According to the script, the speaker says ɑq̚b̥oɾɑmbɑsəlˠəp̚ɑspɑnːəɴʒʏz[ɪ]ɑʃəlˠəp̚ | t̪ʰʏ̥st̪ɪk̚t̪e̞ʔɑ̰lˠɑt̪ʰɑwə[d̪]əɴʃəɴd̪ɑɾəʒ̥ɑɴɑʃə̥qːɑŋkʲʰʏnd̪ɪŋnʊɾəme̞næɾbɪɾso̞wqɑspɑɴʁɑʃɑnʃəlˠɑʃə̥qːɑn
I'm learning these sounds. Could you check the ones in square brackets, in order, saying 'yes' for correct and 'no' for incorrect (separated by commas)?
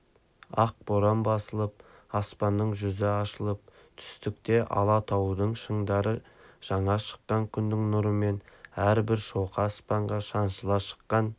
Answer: yes, yes